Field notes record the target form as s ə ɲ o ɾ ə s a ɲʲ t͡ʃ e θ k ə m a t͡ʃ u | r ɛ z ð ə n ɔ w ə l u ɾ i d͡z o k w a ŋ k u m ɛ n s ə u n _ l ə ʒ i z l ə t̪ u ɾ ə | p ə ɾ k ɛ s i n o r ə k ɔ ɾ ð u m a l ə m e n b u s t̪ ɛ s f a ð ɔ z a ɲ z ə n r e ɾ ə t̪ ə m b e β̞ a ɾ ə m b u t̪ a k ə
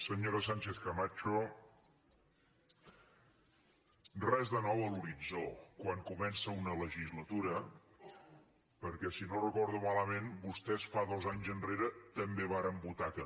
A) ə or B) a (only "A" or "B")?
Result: A